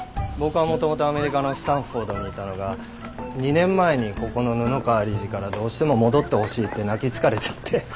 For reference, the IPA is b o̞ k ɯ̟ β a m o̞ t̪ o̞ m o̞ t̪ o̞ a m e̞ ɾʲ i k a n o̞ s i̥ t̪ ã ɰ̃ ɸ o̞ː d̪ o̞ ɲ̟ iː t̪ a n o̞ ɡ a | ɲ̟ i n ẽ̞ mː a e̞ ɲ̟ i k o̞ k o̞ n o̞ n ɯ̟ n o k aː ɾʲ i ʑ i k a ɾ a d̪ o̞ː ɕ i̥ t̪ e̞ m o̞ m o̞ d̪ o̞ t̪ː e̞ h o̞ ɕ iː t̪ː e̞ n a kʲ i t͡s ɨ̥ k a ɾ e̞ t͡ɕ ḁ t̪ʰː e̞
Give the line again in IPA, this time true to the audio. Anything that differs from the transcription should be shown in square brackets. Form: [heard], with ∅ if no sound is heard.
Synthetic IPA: b o̞ k ɯ̟ β a m o̞ t̪ o̞ m o̞ t̪ o̞ a m e̞ ɾʲ i k a n o̞ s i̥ t̪ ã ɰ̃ ɸ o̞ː d̪ o̞ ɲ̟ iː t̪ a n o̞ ɡ a | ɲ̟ i n ẽ̞ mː a e̞ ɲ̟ i k o̞ k o̞ n o̞ n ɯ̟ n o k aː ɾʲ i ʑ i k a ɾ a d̪ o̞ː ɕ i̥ t̪ e̞ m o̞ m o̞ d̪ o̞ t̪ː e̞ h o̞ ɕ iː t̪ː e̞ n a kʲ i t͡s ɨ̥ k a ɾ e̞ t͡ɕ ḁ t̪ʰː e̞

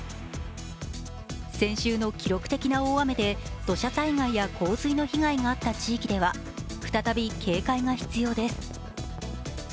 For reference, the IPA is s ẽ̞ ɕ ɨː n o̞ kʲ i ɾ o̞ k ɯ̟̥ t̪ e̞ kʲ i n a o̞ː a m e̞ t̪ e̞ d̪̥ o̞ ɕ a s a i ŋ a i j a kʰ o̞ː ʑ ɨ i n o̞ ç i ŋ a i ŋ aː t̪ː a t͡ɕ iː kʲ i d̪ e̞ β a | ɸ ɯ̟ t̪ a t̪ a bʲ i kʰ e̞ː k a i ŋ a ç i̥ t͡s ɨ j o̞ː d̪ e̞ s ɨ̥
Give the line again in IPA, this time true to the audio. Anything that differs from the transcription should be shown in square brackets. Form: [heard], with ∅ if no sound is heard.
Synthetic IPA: s ẽ̞ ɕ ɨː n o̞ kʲ i ɾ o̞ k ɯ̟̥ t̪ e̞ kʲ i n a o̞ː a m e̞ [d̪] e̞ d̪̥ o̞ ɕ a s a i ŋ a i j a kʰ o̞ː [z] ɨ i n o̞ ç i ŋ a i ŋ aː t̪ː a t͡ɕ iː kʲ i d̪ e̞ β a | ɸ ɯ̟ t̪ a t̪ a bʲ i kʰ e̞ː k a i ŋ a ç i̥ t͡s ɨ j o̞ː d̪ e̞ s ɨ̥

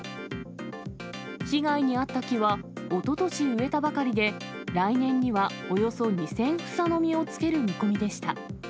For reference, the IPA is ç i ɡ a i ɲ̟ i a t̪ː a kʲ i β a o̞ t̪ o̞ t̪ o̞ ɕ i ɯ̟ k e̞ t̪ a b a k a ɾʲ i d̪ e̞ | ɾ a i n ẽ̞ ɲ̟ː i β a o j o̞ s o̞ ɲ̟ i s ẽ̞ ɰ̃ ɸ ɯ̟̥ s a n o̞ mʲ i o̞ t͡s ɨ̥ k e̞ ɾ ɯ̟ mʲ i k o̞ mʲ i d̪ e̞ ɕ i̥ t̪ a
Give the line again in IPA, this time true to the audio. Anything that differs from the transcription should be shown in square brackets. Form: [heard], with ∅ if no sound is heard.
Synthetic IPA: ç i ɡ a i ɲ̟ i a t̪ː a kʲ i β a o̞ t̪ o̞ t̪ o̞ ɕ i ɯ̟ [∅] e̞ t̪ a b a k a ɾʲ i d̪ e̞ | ɾ a i n ẽ̞ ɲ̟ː i β a o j o̞ s o̞ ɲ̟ i s ẽ̞ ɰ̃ ɸ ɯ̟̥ s a n o̞ mʲ i o̞ t͡s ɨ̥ k e̞ ɾ ɯ̟ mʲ i k o̞ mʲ i d̪ e̞ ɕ i̥ t̪ a

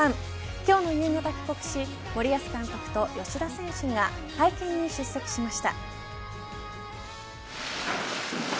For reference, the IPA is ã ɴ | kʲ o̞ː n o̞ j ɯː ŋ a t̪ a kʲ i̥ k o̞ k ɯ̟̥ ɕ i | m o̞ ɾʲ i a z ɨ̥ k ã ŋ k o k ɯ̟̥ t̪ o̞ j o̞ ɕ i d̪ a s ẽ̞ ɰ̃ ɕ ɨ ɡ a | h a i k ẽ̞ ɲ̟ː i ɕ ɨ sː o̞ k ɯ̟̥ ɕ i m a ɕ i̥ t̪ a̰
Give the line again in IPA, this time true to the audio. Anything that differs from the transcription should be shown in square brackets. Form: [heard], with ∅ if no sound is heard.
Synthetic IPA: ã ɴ | kʲ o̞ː n o̞ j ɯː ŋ a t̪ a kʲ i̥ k o̞ k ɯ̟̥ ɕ i | m o̞ ɾʲ i a [s] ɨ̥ k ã ŋ k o k ɯ̟̥ t̪ o̞ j o̞ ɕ i d̪ a s ẽ̞ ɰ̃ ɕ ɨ ɡ a | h a i k ẽ̞ ɲ̟ː i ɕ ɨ sː o̞ k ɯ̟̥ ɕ i m a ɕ i̥ t̪ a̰

